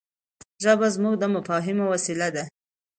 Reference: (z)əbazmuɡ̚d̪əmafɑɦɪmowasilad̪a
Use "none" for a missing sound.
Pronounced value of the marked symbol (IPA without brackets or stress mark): ʒ